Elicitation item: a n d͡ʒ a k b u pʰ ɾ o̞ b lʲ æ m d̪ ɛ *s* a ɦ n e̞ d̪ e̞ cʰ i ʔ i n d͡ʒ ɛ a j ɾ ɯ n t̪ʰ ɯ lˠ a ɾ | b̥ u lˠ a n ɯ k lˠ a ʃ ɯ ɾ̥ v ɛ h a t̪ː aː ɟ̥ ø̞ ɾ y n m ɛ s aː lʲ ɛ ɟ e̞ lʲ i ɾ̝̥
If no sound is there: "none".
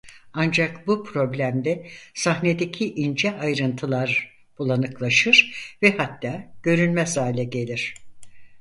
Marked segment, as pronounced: s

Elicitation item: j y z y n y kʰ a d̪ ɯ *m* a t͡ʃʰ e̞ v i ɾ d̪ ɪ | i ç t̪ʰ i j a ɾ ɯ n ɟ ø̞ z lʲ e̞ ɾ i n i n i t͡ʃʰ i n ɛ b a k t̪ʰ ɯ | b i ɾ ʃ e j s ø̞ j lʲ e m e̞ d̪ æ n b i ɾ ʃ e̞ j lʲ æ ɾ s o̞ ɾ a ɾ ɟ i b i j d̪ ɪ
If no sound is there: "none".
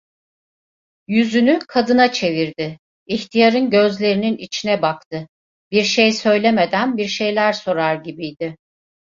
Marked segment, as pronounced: n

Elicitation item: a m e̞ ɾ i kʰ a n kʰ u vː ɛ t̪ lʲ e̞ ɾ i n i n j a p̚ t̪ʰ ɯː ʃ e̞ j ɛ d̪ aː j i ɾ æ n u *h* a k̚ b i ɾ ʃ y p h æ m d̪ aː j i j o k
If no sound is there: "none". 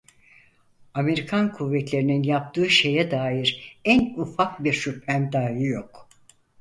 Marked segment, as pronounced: f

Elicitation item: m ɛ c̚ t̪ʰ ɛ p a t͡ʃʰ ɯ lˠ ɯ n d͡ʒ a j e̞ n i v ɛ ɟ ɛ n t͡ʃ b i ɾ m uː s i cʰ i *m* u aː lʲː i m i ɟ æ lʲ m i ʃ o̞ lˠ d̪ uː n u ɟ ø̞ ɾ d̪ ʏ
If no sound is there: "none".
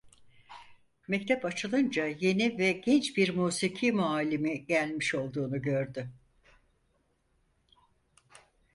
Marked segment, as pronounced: m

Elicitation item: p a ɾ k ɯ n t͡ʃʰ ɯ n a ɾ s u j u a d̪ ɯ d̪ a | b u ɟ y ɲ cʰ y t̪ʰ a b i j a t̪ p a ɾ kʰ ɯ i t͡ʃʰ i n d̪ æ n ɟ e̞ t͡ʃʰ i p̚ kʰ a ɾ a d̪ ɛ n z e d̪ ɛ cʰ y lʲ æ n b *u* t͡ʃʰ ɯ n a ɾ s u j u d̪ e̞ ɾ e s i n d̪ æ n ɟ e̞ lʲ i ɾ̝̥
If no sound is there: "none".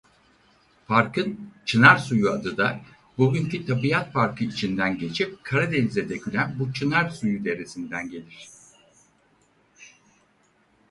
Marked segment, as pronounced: u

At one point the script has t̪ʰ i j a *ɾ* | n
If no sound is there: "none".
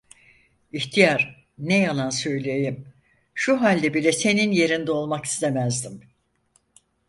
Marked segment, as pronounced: ɾ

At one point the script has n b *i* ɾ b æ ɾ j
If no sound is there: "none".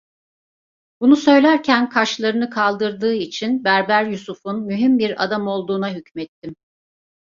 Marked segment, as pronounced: æ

